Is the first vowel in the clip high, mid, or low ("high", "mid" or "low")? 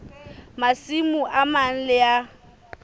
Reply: low